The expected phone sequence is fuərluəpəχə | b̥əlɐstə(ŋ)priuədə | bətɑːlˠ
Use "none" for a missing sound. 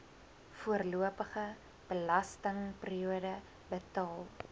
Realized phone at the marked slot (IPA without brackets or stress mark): ŋ